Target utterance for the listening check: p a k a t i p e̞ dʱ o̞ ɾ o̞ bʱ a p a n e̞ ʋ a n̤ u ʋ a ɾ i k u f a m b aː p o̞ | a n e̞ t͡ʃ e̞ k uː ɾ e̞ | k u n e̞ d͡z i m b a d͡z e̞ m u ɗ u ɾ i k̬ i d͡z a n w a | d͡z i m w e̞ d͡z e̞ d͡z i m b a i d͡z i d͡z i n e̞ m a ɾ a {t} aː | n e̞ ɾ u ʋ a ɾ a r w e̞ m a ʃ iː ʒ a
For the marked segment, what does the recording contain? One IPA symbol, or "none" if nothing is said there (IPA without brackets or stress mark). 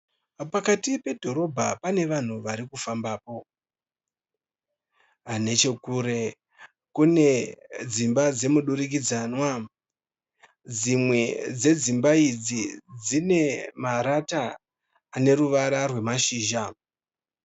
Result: t